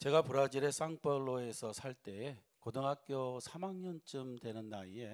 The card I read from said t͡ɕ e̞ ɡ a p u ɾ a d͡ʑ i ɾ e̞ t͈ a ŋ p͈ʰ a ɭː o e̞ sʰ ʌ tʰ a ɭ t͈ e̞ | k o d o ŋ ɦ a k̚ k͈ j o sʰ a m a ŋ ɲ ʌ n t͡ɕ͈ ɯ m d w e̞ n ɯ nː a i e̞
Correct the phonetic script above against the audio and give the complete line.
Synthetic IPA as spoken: t͡ɕ e̞ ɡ a p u ɾ a d͡ʑ i ɾ e̞ s͈ a ŋ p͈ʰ ʌ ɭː o e̞ sʰ ʌ sʰ a ɭ t͈ e̞ | k o d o ŋ ɦ a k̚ k͈ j o sʰ a m a ŋ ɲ ʌ n t͡ɕ͈ ɯ m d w e̞ n ɯ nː a i e̞